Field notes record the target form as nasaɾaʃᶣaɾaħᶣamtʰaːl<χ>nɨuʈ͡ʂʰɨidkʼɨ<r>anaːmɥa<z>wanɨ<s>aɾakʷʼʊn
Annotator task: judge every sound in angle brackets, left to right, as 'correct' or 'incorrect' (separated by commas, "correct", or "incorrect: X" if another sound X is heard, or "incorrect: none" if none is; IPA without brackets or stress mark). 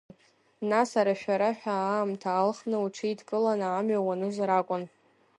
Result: correct, incorrect: l, incorrect: none, incorrect: z